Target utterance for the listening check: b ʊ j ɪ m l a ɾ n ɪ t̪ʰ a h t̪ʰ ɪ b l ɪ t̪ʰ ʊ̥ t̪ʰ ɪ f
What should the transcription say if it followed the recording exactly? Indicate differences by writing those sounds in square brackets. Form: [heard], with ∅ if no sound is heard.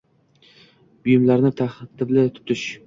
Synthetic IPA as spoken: b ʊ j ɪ m l a ɾ n ɪ t̪ʰ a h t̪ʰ ɪ b l ɪ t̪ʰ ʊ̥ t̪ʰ ɪ [ʃ]